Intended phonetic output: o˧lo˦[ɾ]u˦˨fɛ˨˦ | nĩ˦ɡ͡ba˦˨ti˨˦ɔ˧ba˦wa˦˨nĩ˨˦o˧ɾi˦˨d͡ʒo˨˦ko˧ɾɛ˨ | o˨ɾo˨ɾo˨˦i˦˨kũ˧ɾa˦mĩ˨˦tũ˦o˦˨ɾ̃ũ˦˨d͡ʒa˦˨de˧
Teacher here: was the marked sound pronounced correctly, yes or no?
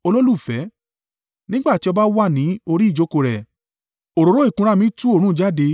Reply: no